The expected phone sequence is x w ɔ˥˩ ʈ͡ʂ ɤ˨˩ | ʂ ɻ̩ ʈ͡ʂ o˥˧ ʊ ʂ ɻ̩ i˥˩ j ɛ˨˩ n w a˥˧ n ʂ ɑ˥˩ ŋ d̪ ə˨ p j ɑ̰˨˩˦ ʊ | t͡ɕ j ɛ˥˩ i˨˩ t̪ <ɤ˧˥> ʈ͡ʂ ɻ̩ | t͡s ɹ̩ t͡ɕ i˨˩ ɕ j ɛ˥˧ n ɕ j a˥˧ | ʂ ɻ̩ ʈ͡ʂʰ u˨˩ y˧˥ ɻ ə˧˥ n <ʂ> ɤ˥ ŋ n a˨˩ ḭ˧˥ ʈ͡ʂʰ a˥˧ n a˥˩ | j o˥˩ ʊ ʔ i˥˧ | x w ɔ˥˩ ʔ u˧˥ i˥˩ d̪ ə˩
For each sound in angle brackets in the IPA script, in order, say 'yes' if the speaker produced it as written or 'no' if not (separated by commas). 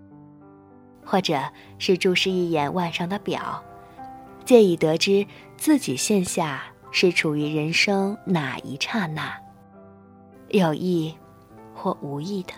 yes, yes